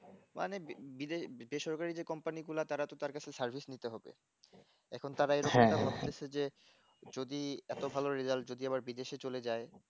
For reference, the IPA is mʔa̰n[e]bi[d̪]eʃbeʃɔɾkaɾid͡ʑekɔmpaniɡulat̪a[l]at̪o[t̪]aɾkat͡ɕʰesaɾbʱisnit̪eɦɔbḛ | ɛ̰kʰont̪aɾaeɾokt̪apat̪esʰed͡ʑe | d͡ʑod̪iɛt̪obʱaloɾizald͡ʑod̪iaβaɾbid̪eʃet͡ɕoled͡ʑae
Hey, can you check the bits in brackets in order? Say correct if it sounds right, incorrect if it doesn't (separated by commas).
correct, correct, incorrect, correct